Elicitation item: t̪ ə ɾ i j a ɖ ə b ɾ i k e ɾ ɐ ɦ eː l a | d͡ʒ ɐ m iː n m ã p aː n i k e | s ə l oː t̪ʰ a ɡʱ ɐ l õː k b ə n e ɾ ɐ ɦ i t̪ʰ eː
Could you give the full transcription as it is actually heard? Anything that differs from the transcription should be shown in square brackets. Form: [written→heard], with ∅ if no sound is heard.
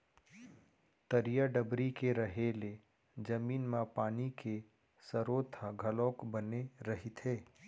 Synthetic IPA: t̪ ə ɾ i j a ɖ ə b ɾ i k e ɾ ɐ ɦ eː l [a→e] | d͡ʒ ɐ m iː n m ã p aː n i k e | s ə [l→ɾ] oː t̪ʰ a ɡʱ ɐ l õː k b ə n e ɾ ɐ ɦ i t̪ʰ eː